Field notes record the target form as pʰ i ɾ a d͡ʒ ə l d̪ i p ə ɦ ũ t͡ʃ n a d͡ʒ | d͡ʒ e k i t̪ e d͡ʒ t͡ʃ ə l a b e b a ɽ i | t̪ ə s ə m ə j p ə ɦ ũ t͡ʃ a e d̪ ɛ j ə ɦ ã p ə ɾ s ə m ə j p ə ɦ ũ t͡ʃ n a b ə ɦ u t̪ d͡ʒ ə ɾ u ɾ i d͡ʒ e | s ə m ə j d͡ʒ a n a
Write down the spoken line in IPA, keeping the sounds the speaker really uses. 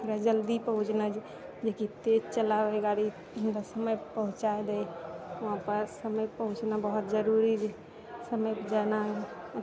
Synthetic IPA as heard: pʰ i ɾ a d͡ʒ ə l d̪ i p ə ɦ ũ t͡ʃ n a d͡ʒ | d͡ʒ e k i t̪ e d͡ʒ t͡ʃ ə l a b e ɡ a ɽ i | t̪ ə s ə m ə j p ə ɦ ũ t͡ʃ a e d̪ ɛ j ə ɦ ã p ə ɾ s ə m ə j p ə ɦ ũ t͡ʃ n a b ə ɦ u t̪ d͡ʒ ə ɾ u ɾ i d͡ʒ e | s ə m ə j d͡ʒ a n a